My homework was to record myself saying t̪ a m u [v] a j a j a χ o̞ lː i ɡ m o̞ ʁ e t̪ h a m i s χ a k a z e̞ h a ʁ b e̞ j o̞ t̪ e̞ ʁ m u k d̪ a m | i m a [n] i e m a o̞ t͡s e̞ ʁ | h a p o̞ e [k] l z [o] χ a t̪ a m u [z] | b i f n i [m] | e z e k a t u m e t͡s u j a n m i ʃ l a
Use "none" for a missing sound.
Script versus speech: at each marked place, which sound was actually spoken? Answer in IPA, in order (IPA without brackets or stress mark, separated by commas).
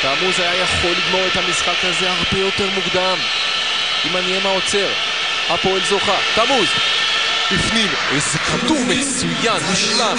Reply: z, n, none, o, z, m